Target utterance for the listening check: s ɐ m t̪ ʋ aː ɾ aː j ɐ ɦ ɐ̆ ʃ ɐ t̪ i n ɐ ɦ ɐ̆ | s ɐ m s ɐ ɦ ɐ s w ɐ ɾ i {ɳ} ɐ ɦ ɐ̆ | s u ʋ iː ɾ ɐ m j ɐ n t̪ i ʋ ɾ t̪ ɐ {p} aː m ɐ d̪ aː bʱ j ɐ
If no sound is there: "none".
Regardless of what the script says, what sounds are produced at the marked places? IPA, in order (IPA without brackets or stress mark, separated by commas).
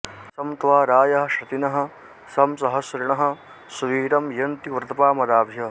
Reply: ɳ, p